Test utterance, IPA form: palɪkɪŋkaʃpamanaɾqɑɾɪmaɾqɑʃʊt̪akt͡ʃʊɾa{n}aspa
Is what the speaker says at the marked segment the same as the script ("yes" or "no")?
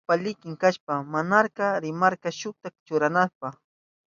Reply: yes